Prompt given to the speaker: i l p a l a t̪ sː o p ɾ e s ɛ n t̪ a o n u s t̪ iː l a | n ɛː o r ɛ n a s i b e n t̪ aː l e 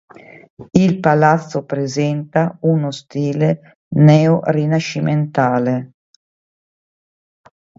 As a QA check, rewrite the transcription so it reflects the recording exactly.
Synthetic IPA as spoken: i l p a l a t̪ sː o p ɾ e z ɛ n t̪ a u n o s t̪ iː l e | n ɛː o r i n a ʃ i m e n t̪ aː l e

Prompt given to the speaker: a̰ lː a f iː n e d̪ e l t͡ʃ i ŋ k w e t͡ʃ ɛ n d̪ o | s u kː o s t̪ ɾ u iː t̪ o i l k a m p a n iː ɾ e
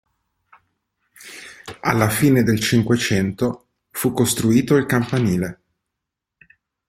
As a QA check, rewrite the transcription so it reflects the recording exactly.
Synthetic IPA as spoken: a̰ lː a f iː n e d̪ e l t͡ʃ i ŋ k w e t͡ʃ ɛ n t̪ o | f u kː o s t̪ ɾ u iː t̪ o i l k a m p a n iː l e

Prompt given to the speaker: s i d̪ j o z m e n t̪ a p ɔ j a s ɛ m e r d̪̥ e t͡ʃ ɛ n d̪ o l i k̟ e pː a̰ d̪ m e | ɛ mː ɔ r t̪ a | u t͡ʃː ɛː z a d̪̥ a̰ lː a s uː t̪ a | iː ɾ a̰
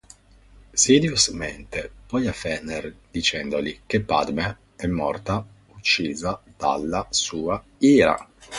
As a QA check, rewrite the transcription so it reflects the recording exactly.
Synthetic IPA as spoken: s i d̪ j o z m e n t̪ e p ɔ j a f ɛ n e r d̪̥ i t͡ʃ ɛ n d̪ o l i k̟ e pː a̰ d̪ m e | ɛ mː ɔ r t̪ a | u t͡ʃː iː z a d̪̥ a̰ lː a s uː a | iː ɾ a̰

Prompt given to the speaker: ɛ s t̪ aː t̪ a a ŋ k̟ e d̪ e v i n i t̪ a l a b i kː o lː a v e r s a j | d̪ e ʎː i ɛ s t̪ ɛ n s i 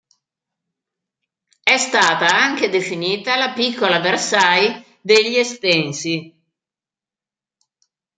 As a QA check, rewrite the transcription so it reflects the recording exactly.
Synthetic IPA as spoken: ɛ s t̪ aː t̪ a a ŋ k̟ e d̪ e f i n iː t̪ a l a p i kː o l a v e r s a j | d̪ e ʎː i e s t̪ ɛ n s i

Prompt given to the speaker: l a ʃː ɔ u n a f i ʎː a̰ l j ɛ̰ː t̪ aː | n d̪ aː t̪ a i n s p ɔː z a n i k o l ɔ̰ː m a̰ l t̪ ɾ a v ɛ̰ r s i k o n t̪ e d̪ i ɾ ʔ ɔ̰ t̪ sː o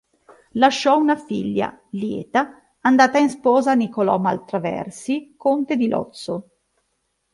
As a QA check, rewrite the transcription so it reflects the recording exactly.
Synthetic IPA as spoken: l a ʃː ɔ u n a f i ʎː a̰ l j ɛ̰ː t̪ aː | n d̪ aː t̪ a i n s p ɔː z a n i k o l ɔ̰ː m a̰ l t̪ ɾ a v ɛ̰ r s i k o n t̪ e d̪ i l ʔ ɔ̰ t̪ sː o

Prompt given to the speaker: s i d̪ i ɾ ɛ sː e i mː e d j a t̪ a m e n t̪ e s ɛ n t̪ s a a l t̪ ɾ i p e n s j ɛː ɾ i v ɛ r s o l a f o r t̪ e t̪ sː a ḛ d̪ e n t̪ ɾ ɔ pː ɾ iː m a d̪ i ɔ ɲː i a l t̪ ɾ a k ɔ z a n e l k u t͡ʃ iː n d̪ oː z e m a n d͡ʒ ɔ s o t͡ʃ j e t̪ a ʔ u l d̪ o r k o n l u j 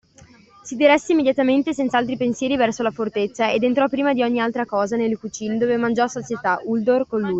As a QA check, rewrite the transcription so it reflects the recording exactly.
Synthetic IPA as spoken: s i d̪ i ɾ ɛ sː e i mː e d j a t̪ a m e n t̪ e s ɛ n t̪ s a a l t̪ ɾ i p e n s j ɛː ɾ i v ɛ r s o l a f o r t̪ e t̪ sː a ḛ d̪ e n t̪ ɾ ɔ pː ɾ iː m a d̪ i ɔ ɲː i a l t̪ ɾ a k ɔː z a n e l k u t͡ʃ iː n d̪ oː v e m a n d͡ʒ ɔ s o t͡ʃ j e t̪ a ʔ u l d̪ o r k o n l u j

